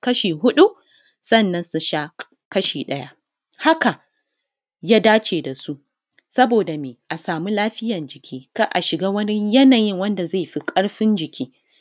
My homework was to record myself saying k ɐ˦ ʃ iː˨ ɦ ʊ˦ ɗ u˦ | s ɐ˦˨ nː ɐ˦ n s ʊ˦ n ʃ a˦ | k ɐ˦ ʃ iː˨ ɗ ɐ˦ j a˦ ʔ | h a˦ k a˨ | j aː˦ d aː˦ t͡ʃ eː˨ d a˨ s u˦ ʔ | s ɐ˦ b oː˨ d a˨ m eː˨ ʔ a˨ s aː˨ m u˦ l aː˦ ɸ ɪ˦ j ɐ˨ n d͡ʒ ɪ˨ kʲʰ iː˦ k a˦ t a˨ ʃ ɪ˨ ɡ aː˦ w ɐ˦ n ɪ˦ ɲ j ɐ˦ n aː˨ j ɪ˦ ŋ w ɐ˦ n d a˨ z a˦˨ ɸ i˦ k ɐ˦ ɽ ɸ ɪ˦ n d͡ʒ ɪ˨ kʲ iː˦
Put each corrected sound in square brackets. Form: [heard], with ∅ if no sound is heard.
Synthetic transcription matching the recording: k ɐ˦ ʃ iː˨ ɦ ʊ˦ ɗ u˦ | s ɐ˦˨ nː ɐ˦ n s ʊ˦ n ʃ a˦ | k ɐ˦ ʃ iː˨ ɗ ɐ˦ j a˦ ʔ | h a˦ k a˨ | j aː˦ d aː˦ t͡ʃ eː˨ d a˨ s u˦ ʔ | s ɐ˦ b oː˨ d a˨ m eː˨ ʔ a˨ s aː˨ m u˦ l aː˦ ɸ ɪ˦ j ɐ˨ n d͡ʒ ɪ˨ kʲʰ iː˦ k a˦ [ʔ] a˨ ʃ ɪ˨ ɡ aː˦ w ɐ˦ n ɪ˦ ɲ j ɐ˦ n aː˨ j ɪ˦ ŋ w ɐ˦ n d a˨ z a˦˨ ɸ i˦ [kʼ] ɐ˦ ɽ ɸ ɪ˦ n d͡ʒ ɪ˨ kʲ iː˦

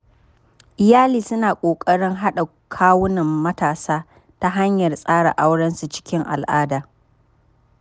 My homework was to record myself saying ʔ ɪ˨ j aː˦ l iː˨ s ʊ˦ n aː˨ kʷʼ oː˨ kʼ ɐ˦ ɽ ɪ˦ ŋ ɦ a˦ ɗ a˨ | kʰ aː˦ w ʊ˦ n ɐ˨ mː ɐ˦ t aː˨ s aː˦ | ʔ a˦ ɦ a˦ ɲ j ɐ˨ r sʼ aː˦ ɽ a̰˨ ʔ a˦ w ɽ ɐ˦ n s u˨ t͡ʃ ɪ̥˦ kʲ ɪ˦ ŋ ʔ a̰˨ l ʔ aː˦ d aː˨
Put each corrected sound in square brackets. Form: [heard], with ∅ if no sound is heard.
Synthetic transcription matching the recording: ʔ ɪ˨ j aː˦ l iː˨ s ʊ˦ n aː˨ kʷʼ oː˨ kʼ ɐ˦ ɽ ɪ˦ ŋ ɦ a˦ ɗ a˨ | kʰ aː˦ w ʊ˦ n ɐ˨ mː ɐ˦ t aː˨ s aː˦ | [t] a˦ ɦ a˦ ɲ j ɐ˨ r sʼ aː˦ ɽ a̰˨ ʔ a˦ w ɽ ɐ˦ n s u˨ t͡ʃ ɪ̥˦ kʲ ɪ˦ ŋ ʔ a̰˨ l ʔ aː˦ d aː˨

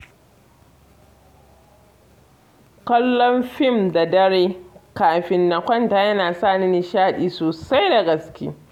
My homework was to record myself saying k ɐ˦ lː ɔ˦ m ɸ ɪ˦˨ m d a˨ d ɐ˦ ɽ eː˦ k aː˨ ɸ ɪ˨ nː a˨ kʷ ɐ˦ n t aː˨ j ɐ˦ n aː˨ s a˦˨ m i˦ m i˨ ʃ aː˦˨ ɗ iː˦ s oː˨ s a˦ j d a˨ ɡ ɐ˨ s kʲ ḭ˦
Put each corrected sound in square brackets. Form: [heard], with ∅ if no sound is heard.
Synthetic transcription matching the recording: k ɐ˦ lː ɔ˦ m ɸ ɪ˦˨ m d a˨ d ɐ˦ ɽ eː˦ k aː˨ ɸ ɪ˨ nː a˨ kʷ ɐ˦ n t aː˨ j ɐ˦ n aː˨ s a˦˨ [n] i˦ [n] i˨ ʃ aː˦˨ ɗ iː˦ s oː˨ s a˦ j d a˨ ɡ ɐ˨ s kʲ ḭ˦

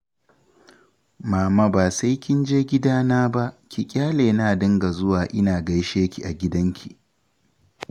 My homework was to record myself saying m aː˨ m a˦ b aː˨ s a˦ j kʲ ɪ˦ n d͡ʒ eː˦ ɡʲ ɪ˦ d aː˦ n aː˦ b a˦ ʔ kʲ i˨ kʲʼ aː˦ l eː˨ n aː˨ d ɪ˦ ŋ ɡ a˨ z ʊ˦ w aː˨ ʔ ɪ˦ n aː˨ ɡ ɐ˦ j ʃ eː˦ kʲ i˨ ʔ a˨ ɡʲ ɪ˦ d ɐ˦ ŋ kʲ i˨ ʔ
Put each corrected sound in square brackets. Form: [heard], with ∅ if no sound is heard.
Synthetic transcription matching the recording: m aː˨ m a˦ b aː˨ s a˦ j kʲ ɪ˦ n d͡ʒ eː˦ ɡʲ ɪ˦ d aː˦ n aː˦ b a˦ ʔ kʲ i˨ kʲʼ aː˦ l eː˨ n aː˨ d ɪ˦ ŋ ɡ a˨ z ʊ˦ w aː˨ ʔ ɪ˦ n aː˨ ɡ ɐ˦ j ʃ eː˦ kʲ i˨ ʔ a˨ ɡʲ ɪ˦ d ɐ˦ ŋ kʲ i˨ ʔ

